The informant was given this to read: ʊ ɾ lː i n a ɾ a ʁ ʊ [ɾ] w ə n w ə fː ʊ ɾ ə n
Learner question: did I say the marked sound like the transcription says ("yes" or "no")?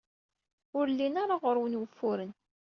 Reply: yes